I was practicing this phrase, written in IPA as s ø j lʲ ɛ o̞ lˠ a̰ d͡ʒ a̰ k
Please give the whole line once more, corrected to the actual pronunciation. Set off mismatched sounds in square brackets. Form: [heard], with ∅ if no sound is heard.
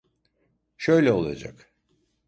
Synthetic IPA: [ʃ] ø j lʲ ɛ o̞ lˠ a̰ d͡ʒ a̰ k